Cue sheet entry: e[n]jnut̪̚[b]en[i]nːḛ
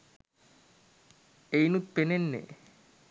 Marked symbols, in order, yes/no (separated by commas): no, no, no